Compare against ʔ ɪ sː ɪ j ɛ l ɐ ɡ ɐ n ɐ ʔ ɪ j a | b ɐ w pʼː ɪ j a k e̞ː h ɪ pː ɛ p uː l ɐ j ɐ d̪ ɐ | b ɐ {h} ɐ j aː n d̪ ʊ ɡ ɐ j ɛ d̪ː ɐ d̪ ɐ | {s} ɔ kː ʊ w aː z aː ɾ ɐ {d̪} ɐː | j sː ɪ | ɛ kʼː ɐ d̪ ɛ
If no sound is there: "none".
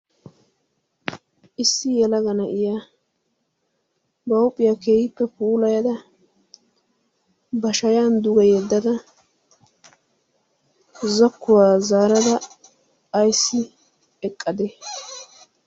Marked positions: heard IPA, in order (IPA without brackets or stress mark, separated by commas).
ʃ, z, d̪